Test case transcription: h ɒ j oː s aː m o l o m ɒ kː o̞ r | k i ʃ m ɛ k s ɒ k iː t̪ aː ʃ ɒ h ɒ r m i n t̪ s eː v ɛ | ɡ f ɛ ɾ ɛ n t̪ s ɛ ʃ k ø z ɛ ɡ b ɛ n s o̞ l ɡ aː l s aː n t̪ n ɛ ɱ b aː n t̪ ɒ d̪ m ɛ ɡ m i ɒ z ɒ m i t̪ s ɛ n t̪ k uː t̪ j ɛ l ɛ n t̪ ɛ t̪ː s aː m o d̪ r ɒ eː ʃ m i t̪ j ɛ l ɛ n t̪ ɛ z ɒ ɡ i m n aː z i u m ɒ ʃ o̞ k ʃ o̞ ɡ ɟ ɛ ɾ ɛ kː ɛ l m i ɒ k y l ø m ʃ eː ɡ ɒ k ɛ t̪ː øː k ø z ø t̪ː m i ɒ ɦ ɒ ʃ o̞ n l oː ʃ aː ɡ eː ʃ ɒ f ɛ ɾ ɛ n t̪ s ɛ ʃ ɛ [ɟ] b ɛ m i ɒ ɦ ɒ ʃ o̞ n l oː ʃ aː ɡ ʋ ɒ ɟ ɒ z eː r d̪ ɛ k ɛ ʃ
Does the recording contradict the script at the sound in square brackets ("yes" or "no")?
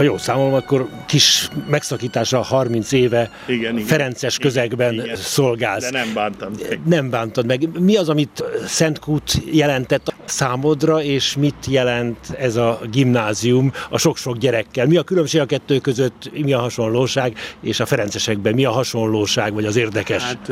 yes